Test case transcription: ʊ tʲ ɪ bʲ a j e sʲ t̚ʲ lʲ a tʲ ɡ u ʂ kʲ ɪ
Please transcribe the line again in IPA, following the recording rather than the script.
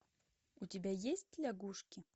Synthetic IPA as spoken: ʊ tʲ ɪ bʲ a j e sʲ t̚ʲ lʲ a ɡ u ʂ kʲ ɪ